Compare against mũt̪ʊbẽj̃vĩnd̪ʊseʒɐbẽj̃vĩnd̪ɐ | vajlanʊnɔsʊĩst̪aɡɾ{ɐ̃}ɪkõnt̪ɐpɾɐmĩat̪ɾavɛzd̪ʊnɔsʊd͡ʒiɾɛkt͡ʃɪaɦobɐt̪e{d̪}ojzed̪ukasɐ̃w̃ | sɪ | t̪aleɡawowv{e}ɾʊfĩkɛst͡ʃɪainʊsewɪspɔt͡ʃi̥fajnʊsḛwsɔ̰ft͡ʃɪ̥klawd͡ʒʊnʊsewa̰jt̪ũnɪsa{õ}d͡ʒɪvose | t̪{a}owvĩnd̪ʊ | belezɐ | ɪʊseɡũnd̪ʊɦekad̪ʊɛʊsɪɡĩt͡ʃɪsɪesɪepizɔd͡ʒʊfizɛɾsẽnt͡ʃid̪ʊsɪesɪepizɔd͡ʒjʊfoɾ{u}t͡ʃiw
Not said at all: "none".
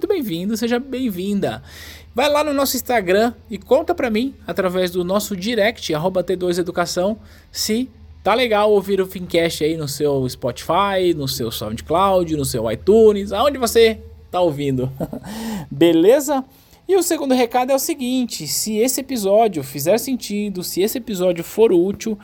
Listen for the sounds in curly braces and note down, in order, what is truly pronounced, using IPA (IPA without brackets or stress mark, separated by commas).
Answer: ɐ̃, d̪, i, õ, a, u